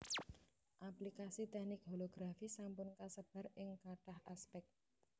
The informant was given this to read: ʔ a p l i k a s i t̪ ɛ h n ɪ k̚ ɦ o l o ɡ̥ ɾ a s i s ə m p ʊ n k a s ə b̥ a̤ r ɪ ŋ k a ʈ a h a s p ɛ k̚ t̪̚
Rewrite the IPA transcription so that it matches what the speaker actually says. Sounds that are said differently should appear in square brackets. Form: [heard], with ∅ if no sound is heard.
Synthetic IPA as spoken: ʔ a p l i k a s i t̪ ɛ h n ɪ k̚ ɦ o l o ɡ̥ ɾ a [f] i s [a] m p ʊ n k a s ə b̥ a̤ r ɪ ŋ k a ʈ a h a s p ɛ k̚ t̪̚